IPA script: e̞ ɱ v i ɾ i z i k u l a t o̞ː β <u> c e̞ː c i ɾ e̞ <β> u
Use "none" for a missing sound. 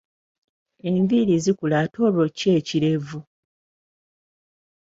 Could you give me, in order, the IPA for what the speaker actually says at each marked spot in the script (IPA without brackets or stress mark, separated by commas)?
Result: o, v